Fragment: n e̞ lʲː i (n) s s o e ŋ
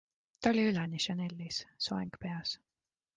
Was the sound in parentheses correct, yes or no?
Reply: no